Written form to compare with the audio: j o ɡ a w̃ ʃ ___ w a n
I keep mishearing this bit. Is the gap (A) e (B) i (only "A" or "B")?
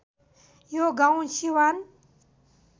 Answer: B